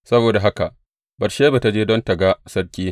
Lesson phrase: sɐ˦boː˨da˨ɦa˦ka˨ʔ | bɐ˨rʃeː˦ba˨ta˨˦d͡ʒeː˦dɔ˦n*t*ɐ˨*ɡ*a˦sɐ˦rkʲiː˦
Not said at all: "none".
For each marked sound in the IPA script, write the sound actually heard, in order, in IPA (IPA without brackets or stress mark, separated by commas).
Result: t, ɡ